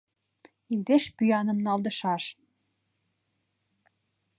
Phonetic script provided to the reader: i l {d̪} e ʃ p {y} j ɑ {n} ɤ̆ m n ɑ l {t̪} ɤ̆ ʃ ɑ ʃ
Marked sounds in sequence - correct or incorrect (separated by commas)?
correct, correct, correct, incorrect